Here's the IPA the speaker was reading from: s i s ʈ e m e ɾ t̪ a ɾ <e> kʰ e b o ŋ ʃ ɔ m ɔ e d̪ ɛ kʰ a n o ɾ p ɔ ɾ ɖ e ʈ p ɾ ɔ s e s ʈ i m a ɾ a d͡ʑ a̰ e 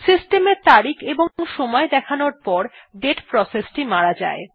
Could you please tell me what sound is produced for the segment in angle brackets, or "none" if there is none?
i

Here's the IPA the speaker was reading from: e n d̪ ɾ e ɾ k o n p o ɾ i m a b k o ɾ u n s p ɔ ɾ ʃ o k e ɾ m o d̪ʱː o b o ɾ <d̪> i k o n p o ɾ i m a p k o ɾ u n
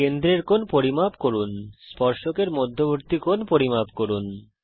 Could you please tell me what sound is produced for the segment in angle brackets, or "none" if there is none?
t̪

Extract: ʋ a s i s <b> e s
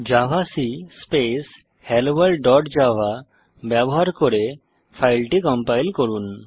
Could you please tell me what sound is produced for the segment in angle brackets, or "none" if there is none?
p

